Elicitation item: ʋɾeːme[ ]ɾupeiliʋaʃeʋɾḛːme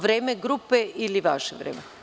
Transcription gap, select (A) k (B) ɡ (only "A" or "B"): B